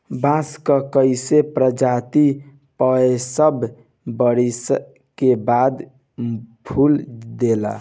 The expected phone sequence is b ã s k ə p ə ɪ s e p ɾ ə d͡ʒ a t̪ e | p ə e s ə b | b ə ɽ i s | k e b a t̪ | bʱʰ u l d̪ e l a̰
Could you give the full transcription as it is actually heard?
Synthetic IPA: b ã s k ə k ə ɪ s e p ɾ ə d͡ʒ a t̪ i | p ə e s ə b | b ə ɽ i s | k e b a d̪ | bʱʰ u l d̪ e l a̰